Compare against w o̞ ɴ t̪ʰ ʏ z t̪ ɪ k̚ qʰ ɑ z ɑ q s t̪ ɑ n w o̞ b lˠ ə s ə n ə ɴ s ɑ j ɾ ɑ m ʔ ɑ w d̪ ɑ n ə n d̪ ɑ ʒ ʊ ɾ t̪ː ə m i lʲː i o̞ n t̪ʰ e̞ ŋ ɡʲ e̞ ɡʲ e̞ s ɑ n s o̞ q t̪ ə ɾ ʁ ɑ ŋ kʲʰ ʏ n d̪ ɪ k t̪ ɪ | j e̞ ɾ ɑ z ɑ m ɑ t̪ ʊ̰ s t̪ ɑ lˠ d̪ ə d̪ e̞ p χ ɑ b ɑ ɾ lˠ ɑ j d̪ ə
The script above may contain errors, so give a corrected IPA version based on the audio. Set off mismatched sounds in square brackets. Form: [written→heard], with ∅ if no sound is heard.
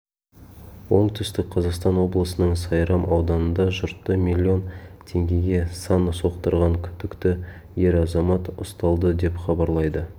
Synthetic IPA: w o̞ ɴ t̪ʰ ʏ [z→s] t̪ ɪ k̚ qʰ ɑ z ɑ q s t̪ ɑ n w o̞ b lˠ ə s ə n ə ɴ s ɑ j ɾ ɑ m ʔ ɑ w d̪ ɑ n ə n d̪ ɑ ʒ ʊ ɾ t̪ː ə m i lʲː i o̞ n t̪ʰ e̞ ŋ ɡʲ e̞ ɡʲ e̞ s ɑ n s o̞ q t̪ ə ɾ ʁ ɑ ŋ kʲʰ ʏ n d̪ ɪ k t̪ ɪ | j e̞ ɾ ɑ z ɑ m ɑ t̪ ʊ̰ s t̪ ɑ lˠ d̪ ə d̪ e̞ p χ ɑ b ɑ ɾ lˠ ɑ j d̪ ə